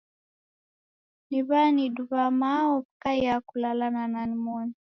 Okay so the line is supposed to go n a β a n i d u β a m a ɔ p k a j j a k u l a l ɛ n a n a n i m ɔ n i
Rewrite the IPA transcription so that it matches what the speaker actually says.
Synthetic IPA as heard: n i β a n i d u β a m a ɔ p k a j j a k u l a l a n a n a n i m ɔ n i